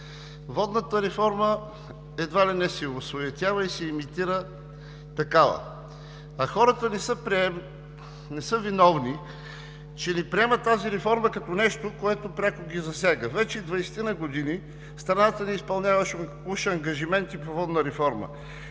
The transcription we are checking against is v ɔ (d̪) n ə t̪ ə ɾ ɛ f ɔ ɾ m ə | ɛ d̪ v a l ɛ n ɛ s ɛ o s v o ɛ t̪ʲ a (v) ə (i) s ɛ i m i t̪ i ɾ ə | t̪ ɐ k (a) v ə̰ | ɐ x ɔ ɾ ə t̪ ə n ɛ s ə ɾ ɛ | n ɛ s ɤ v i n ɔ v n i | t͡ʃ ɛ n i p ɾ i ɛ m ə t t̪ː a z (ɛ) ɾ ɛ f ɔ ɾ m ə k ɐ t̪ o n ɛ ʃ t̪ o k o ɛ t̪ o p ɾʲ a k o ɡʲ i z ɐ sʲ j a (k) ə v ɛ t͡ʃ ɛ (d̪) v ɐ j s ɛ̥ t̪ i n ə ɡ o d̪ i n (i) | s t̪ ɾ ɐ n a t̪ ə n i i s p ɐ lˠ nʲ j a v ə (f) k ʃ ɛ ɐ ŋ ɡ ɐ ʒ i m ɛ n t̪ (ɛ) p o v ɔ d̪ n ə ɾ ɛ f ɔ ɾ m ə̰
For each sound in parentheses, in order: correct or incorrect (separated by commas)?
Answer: correct, correct, correct, correct, incorrect, incorrect, correct, correct, incorrect, incorrect